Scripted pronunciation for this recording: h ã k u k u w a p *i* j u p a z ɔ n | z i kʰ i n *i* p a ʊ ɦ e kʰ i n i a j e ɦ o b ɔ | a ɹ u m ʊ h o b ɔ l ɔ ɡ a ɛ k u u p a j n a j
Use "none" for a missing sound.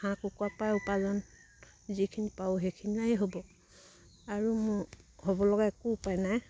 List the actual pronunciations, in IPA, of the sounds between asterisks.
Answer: a, i

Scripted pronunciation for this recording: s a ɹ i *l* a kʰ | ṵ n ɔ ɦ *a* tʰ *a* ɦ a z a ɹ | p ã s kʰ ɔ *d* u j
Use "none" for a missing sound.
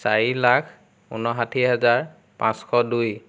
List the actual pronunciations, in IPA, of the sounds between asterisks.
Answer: l, a, i, d

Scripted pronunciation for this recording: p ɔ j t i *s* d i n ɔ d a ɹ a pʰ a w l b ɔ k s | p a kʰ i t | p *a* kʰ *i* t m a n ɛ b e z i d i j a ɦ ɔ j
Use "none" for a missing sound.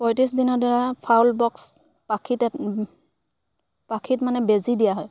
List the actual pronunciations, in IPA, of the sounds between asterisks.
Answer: s, a, i

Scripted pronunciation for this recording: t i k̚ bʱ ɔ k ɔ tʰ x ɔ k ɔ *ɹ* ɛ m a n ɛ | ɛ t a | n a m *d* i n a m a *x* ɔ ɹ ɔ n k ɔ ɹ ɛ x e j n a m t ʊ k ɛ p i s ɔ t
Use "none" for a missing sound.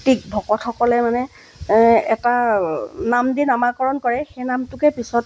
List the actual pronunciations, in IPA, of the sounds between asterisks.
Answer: l, d, k

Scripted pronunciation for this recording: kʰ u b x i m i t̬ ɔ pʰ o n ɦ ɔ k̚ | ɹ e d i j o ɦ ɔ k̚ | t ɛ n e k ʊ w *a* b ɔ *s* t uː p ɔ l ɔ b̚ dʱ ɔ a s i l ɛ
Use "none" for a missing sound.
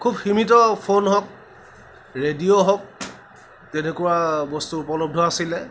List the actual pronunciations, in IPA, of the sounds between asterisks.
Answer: a, s

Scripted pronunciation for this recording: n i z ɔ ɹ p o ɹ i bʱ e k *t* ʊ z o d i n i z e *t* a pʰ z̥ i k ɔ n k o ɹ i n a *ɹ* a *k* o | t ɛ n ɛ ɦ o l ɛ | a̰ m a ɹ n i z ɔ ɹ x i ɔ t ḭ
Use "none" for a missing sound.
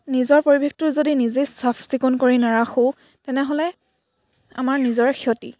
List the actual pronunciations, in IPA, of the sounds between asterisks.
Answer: t, s, ɹ, x

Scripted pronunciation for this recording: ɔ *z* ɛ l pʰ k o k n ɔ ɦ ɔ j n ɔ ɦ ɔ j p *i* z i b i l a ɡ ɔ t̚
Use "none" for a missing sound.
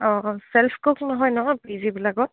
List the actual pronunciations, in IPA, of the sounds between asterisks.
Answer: s, i

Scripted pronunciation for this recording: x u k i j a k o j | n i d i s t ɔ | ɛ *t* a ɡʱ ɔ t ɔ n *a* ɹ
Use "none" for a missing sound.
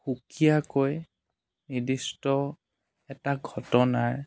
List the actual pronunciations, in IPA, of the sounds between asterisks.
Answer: t, a

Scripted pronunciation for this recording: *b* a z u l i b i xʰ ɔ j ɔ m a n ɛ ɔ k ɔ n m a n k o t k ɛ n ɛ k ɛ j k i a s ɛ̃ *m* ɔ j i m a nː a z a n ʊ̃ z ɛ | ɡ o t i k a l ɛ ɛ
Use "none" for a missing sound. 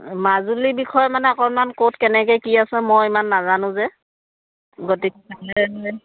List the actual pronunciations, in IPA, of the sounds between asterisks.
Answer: m, m

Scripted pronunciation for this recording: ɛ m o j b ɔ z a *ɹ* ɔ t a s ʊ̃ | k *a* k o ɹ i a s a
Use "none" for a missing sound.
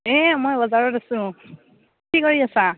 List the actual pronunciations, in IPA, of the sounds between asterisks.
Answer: ɹ, i

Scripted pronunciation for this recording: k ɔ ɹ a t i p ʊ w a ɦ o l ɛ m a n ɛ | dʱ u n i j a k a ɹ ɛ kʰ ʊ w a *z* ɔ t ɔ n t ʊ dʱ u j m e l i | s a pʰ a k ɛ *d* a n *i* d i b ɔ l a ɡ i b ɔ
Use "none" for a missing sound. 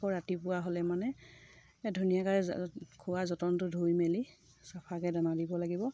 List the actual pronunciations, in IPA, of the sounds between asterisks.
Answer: z, d, a

